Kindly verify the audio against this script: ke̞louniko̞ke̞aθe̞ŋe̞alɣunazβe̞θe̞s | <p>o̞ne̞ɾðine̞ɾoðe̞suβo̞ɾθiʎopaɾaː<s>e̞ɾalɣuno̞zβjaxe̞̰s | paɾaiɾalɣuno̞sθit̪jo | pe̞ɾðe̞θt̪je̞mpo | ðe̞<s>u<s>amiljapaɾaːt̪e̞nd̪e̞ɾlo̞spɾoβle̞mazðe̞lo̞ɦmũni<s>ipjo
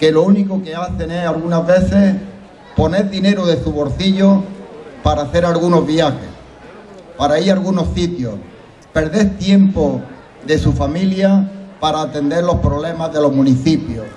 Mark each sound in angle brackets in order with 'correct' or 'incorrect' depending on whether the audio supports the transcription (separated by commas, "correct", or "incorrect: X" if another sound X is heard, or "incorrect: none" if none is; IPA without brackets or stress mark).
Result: correct, incorrect: θ, correct, incorrect: f, incorrect: θ